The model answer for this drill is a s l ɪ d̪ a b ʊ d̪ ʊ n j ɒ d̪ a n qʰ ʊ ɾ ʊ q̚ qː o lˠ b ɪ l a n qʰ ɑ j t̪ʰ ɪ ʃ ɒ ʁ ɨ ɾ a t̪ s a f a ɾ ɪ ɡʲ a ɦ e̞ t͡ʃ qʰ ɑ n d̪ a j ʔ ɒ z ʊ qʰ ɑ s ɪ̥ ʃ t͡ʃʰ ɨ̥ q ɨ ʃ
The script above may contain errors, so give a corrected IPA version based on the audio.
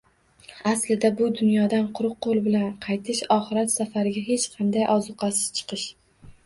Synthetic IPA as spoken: a s l ɪ d̪ a b ʊ d̪ ʊ n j ɒ d̪ a n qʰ ʊ ɾ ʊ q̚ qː o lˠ b ɪ l a n qʰ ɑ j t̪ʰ ɪ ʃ ɒ χ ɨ ɾ a t̪ s a f a ɾ ɪ ɡʲ a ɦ e̞ t͡ʃ qʰ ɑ n d̪ a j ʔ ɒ z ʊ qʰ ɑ s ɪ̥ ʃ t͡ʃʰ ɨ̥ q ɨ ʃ